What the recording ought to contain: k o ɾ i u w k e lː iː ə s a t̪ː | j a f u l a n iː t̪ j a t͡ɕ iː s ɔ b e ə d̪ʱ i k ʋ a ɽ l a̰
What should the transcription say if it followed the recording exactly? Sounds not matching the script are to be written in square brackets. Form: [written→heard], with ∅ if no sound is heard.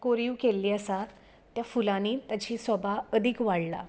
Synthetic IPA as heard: k o ɾ i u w k e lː iː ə s a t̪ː | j a f u l a n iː t̪ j a t͡ɕ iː s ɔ b [e→a] ə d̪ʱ i k ʋ a ɽ l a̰